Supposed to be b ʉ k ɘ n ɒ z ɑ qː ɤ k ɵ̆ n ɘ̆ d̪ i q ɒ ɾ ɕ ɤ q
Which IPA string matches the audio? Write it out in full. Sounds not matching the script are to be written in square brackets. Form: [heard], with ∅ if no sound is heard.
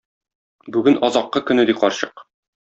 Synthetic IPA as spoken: b ʉ [ɡ] ɘ n ɒ z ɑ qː ɤ k ɵ̆ n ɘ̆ d̪ i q ɒ ɾ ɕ ɤ q